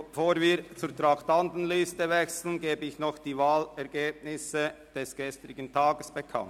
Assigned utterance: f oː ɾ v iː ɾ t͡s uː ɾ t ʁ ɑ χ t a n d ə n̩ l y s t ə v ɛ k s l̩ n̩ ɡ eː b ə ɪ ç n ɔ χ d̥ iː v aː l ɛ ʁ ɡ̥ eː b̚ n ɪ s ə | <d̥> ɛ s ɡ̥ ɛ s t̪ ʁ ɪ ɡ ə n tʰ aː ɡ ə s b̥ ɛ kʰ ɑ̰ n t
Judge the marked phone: correct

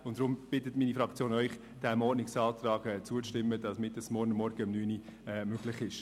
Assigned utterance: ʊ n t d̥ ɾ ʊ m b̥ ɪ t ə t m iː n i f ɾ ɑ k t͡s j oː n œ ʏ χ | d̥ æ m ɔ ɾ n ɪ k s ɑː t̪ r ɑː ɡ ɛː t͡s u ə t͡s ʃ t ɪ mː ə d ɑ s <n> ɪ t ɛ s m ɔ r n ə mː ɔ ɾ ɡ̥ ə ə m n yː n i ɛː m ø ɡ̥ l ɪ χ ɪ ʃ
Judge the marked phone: incorrect: m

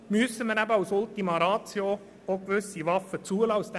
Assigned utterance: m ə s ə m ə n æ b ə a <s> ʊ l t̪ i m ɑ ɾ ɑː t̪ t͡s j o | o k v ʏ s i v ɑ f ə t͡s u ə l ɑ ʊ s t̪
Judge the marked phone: correct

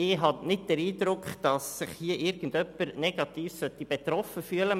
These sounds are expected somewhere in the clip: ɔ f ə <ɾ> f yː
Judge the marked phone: incorrect: none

